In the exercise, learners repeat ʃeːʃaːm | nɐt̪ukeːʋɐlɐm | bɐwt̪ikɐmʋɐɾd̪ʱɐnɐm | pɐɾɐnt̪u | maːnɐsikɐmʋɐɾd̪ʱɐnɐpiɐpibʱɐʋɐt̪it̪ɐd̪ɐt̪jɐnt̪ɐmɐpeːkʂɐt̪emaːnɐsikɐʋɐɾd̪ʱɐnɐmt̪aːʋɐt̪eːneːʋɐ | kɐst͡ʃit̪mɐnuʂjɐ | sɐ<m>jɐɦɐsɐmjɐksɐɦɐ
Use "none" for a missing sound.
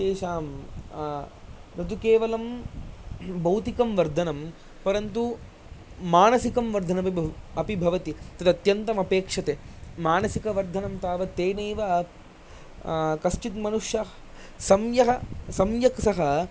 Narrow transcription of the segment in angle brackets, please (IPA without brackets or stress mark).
m